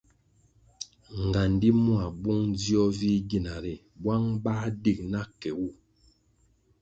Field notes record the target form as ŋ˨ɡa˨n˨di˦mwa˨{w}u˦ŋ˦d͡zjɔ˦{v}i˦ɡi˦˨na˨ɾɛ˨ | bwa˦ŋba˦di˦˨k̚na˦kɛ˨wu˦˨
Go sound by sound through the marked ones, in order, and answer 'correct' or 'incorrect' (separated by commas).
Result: incorrect, correct